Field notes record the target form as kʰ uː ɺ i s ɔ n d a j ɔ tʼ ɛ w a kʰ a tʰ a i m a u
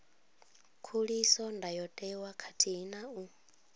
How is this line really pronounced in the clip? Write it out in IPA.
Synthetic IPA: kʰ u ɺ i s ɔ n d a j ɔ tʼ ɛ w a kʰ a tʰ i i n a u

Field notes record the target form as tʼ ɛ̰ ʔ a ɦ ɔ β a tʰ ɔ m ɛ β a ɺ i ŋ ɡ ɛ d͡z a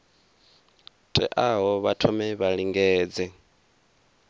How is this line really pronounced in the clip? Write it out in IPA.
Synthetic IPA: tʼ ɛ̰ ʔ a ɦ ɔ β a tʰ ɔ m ɛ β a ɺ i ŋ ɡ ɛː d͡z ɛ

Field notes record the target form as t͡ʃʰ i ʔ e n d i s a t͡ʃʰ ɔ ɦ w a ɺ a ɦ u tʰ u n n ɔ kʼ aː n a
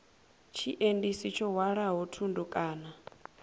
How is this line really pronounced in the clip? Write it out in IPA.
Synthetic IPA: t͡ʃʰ i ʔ e n d i s i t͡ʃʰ ɔ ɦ w a ɺ a ɦ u tʰ u n d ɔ kʼ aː n a

